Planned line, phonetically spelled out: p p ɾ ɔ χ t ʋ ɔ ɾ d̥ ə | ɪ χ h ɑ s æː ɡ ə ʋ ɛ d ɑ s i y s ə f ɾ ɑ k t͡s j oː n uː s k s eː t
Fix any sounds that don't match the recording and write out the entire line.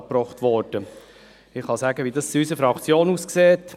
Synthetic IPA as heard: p p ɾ ɔ χ t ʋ ɔ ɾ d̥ ə | ɪ χ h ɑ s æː ɡ ə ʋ i d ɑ s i y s ə f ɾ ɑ k t͡s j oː n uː s k s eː t